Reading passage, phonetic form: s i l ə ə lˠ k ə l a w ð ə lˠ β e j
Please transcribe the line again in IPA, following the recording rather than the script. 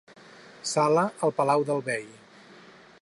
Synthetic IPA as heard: s a l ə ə lˠ p ə l a w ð ə lˠ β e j